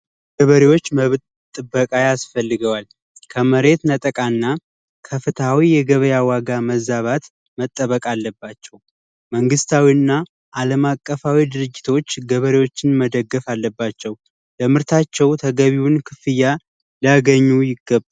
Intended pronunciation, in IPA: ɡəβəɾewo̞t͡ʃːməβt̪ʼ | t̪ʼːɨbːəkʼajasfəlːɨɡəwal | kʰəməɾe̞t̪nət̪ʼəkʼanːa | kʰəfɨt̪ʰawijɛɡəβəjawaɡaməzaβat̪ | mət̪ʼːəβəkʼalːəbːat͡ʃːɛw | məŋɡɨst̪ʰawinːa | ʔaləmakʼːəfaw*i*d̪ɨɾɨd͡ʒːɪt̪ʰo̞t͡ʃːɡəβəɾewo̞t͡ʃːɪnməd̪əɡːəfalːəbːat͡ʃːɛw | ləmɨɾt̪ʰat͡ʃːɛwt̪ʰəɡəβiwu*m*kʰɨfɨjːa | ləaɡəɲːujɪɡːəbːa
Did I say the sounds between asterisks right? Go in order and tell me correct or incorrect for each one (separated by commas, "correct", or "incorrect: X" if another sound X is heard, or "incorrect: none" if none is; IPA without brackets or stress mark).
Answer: correct, incorrect: n